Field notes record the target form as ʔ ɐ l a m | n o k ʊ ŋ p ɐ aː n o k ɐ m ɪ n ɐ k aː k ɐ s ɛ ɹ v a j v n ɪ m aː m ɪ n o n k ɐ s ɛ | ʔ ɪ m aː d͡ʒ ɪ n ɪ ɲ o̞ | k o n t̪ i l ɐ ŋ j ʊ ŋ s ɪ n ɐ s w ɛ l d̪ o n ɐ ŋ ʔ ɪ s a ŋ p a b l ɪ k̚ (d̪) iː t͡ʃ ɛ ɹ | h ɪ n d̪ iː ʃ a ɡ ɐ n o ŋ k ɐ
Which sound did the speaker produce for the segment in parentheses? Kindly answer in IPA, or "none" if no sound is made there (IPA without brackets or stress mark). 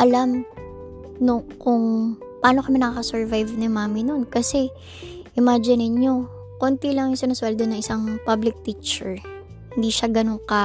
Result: t̪